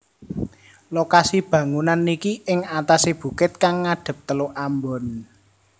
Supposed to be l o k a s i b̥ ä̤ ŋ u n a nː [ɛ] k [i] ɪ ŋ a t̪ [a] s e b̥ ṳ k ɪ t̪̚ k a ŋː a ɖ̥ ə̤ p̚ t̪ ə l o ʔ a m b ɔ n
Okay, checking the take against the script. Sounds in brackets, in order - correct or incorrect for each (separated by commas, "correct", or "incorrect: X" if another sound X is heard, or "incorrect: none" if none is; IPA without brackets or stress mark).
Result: incorrect: i, correct, correct